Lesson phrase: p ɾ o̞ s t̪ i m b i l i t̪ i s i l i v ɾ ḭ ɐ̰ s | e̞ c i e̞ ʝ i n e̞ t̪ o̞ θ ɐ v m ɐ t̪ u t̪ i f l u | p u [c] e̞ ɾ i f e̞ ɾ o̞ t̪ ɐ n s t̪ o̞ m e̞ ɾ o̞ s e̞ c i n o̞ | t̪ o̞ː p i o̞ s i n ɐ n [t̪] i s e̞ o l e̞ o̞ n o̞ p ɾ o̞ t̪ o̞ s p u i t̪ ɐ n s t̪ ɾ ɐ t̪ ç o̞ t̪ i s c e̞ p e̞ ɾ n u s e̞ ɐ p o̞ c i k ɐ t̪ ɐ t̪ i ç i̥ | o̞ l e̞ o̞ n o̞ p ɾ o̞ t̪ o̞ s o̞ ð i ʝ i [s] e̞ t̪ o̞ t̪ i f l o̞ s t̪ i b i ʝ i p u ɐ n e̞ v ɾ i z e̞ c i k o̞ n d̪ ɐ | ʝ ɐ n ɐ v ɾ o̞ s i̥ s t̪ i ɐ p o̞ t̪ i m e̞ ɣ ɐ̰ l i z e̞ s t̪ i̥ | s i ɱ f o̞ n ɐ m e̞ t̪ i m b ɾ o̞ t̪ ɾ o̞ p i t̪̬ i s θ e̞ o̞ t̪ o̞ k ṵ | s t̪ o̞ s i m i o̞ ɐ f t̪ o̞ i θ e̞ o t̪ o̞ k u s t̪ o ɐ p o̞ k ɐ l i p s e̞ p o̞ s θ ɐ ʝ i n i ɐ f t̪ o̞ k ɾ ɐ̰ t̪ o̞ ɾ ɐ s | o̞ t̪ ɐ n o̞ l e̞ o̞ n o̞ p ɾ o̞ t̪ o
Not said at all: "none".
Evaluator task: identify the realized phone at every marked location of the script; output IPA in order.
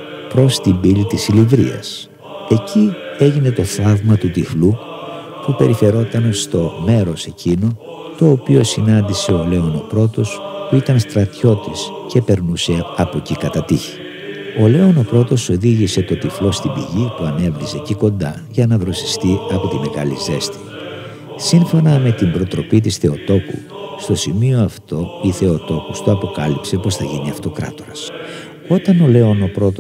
p, d̪, s

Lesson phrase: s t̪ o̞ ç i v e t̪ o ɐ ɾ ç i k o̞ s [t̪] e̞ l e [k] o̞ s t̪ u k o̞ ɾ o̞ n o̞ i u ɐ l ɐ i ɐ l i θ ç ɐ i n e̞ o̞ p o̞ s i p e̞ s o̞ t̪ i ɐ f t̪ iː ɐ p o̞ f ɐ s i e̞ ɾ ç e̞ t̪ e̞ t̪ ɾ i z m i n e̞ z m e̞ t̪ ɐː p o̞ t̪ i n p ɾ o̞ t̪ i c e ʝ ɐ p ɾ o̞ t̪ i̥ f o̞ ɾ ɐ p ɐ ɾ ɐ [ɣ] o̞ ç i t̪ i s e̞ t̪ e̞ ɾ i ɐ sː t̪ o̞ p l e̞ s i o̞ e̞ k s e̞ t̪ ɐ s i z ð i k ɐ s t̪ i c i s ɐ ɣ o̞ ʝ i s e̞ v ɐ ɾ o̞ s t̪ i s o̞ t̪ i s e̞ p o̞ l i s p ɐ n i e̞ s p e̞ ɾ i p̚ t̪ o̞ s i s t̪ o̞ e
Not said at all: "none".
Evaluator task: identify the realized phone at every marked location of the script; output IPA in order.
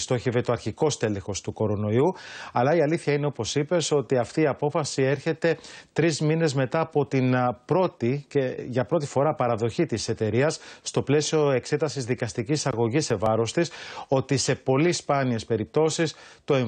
t̪, x, ð

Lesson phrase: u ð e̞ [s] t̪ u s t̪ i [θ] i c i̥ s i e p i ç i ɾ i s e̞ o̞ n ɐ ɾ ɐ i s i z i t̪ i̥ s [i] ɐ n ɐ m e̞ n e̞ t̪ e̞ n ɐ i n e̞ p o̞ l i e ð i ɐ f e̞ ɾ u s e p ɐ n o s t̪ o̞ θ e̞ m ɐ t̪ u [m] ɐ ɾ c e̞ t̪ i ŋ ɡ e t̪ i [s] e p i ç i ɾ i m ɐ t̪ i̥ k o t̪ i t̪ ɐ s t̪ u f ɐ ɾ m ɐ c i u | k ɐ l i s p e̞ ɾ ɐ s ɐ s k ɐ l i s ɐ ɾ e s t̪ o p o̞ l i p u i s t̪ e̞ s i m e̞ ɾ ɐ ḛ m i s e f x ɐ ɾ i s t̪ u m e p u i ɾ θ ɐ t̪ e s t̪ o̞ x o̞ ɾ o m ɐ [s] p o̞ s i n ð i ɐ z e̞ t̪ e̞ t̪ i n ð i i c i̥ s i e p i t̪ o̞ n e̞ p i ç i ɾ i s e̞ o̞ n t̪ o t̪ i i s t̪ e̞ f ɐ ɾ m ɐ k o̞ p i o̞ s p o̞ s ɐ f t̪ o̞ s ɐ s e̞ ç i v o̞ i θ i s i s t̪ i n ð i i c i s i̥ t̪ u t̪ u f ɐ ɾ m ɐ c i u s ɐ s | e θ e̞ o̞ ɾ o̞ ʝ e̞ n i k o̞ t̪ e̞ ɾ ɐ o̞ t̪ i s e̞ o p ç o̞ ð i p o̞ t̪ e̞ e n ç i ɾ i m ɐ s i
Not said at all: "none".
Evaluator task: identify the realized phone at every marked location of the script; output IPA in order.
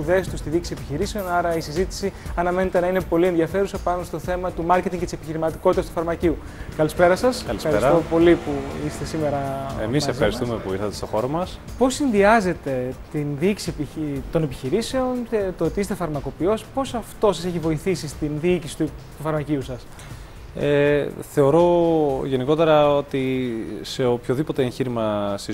s, ð, i, m, s, s

